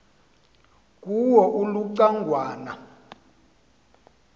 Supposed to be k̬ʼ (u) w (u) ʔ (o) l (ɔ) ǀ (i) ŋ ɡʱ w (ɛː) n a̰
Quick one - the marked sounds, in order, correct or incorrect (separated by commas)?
correct, incorrect, incorrect, incorrect, incorrect, incorrect